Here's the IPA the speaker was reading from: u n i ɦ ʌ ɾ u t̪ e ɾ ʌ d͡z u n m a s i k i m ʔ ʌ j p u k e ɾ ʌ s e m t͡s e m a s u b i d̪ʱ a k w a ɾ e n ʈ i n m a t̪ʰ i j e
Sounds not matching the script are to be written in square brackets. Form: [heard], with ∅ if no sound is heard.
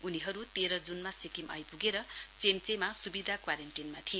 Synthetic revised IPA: u n i ɦ ʌ ɾ u t̪ e ɾ ʌ d͡z u n m a s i k i m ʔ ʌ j p u [ɡ] e ɾ ʌ [t͡s] e m t͡s e m a s u b i d̪ʱ a k w a ɾ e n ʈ i n m a t̪ʰ i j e